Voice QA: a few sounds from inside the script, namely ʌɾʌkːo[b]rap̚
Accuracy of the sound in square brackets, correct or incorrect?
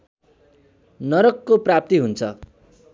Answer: incorrect